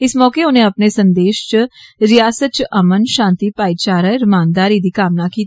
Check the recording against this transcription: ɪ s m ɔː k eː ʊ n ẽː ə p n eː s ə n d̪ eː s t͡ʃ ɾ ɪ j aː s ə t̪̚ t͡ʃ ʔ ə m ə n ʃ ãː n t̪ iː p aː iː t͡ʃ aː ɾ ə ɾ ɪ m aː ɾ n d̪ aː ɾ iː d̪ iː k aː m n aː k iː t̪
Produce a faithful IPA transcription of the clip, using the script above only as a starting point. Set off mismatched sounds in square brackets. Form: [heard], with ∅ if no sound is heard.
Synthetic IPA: ɪ s m ɔː k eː ʊ n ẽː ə p n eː s ə n d̪ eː [ʃ] t͡ʃ ɾ ɪ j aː s ə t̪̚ t͡ʃ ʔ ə m ə n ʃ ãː n t̪ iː p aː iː t͡ʃ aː ɾ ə ɾ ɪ m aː [∅] n d̪ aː ɾ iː d̪ iː k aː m n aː k iː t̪